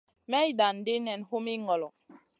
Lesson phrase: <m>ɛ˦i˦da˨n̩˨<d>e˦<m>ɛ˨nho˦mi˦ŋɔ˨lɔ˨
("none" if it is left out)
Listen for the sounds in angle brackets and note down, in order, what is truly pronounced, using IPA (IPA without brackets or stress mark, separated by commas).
m, d, n